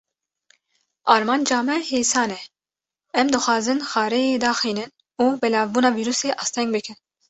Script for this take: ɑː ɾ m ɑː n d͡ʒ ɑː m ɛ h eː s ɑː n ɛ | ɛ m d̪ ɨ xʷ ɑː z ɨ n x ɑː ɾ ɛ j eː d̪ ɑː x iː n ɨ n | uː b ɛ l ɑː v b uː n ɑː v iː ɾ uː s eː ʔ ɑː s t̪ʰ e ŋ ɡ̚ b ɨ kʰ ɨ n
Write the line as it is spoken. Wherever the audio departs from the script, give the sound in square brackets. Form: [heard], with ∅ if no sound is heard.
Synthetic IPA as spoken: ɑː ɾ m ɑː n d͡ʒ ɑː m ɛ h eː s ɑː n ɛ | ɛ m d̪ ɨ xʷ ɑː z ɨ n x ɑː ɾ ɛ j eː d̪ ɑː x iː n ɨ n | uː b ɛ l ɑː v b uː n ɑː v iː ɾ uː s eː ʔ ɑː s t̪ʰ [ɛ] ŋ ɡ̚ b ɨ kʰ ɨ n